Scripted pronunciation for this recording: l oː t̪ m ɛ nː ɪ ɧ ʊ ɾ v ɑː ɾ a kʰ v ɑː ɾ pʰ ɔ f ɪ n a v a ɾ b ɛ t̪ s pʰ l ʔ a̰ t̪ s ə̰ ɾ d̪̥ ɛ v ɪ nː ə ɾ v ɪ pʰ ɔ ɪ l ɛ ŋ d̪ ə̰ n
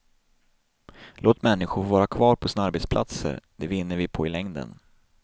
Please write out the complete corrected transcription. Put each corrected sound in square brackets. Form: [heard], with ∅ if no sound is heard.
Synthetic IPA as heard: l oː t̪ m ɛ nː ɪ ɧ ʊ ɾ v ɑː ɾ a kʰ v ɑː ɾ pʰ ɔ [s] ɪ n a [∅] a ɾ b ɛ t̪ s pʰ l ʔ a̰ t̪ s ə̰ ɾ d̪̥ ɛ v ɪ nː ə ɾ v ɪ pʰ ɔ ɪ l ɛ ŋ d̪ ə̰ n